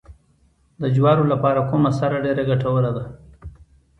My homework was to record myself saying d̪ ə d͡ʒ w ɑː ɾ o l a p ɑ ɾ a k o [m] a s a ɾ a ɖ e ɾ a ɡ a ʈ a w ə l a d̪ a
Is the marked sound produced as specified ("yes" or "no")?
yes